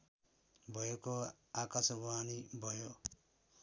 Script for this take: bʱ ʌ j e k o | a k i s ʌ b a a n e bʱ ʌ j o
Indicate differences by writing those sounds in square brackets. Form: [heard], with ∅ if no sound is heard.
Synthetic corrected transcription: bʱ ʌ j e k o | a k [a] s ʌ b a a n [i] bʱ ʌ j o